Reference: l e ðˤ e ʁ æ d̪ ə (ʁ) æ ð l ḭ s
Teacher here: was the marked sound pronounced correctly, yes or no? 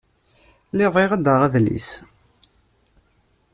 yes